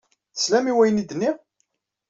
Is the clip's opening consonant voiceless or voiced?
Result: voiceless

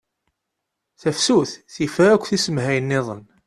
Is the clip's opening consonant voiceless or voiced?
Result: voiceless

